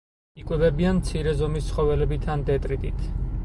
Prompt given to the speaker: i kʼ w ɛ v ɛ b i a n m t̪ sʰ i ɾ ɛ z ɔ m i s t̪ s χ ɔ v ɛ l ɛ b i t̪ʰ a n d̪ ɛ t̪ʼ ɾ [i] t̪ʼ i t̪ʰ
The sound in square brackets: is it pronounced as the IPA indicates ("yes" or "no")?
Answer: yes